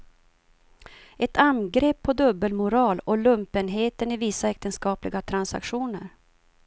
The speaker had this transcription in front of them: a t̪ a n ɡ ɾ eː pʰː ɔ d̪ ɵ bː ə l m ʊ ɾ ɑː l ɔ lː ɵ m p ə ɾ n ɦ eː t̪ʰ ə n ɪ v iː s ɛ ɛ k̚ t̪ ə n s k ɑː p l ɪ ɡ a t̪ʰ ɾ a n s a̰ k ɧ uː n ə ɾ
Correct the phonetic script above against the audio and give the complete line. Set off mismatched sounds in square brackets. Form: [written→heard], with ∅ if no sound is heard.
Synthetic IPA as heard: [a→ɛ] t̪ a n ɡ ɾ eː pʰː ɔ d̪ ɵ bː ə l m ʊ ɾ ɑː l ɔ [lː→l] ɵ m p ə [ɾ→∅] n ɦ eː [t̪ʰ→t̪] ə n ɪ v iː s [ɛ→a] ɛ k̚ t̪ ə n s k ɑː p l ɪ ɡ a t̪ʰ ɾ a n s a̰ k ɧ uː n ə ɾ